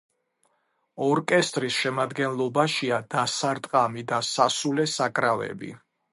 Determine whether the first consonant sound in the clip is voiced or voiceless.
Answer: voiced